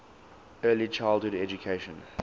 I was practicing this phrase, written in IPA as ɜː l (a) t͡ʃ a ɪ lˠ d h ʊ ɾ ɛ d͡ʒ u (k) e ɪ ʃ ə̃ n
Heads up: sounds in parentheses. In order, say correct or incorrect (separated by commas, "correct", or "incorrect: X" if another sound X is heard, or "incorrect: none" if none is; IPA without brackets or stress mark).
incorrect: i, incorrect: kʰ